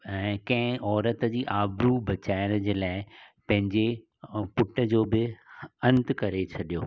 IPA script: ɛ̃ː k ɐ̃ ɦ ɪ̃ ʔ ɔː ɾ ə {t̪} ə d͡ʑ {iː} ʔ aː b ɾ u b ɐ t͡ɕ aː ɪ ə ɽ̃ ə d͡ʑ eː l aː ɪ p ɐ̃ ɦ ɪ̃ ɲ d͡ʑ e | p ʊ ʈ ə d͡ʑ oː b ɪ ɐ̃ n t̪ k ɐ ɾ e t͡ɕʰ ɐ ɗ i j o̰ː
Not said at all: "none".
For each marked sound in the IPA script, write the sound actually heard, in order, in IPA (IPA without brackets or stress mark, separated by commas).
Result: t̪, iː